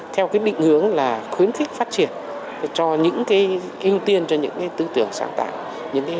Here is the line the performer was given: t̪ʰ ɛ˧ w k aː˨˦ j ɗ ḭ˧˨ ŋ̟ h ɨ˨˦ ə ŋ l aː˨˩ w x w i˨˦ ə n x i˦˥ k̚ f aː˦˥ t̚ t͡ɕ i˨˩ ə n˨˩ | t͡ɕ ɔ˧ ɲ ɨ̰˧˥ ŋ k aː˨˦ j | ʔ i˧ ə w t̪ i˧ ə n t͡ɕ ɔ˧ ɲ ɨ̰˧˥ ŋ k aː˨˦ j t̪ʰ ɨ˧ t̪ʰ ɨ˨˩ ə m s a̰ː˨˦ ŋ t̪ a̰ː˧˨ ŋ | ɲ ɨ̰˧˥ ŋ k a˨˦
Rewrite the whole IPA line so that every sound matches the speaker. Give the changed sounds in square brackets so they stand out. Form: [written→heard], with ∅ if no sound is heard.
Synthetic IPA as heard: t̪ʰ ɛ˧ w k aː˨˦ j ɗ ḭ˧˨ ŋ̟ h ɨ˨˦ ə ŋ l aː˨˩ [w→∅] x w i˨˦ ə n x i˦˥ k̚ f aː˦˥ t̚ t͡ɕ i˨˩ ə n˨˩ | t͡ɕ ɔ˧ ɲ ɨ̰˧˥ ŋ k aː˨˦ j | ʔ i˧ ə w t̪ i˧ ə n t͡ɕ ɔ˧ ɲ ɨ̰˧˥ ŋ k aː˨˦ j [t̪ʰ→t̪] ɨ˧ [t̪ʰ→t̪] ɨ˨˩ ə [m→ŋ] s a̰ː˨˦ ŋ t̪ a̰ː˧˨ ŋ | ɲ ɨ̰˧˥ ŋ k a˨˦

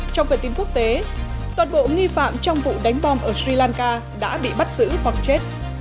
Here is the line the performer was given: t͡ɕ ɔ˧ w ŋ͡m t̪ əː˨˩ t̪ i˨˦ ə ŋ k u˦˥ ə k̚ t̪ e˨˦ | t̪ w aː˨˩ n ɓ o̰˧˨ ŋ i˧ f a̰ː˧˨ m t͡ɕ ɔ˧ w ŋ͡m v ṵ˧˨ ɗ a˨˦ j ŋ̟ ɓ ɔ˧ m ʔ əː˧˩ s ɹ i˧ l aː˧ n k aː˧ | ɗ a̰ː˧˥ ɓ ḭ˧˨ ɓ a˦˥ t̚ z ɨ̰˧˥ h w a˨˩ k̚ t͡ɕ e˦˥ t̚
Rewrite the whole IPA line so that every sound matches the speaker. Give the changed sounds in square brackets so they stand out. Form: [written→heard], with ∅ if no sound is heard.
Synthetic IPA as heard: t͡ɕ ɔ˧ w ŋ͡m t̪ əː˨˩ t̪ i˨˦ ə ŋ k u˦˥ ə k̚ t̪ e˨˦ | t̪ w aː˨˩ n ɓ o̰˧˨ ŋ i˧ f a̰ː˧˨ m t͡ɕ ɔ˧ w ŋ͡m v ṵ˧˨ ɗ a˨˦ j ŋ̟ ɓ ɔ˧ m ʔ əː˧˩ s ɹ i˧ l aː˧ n k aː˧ | ɗ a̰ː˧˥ ɓ ḭ˧˨ ɓ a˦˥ t̚ z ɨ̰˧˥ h w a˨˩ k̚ t͡ɕ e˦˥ t̚

